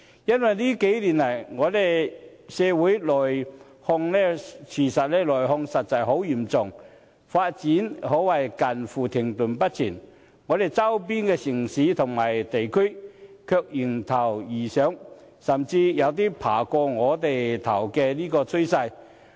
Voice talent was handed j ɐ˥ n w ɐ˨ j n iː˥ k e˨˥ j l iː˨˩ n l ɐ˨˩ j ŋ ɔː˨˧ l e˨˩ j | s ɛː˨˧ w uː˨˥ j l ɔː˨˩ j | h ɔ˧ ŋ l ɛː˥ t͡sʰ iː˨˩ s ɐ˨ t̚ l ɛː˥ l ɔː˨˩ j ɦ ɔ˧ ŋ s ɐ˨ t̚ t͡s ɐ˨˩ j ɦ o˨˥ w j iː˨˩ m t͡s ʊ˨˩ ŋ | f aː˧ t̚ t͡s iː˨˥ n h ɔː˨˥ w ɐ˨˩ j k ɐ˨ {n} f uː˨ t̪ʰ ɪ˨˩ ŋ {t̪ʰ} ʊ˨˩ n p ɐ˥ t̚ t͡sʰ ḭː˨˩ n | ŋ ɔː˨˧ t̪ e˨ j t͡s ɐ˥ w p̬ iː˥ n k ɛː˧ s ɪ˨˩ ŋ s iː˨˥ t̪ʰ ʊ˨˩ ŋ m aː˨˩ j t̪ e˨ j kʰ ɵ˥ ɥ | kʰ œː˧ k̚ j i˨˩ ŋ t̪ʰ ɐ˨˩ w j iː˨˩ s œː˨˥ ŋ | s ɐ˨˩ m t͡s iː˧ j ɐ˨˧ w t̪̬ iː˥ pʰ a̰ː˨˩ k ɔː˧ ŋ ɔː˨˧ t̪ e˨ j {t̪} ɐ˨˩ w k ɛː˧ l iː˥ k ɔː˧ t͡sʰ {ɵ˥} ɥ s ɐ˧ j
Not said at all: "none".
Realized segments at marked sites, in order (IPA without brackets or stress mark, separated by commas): n, t̪, t̪ʰ, ɵ˥